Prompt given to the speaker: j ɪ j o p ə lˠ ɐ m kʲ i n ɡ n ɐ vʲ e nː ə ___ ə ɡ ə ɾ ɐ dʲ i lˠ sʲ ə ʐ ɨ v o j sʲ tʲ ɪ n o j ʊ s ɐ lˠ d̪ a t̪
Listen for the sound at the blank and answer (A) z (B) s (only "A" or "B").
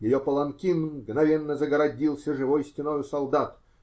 A